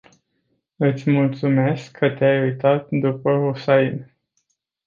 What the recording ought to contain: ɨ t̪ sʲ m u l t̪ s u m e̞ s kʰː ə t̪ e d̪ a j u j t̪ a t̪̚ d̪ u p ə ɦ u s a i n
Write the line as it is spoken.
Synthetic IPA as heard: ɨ t̪ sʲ m u l t̪ s u m e̞ s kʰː ə t̪ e a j u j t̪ a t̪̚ d̪ u p ə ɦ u s a i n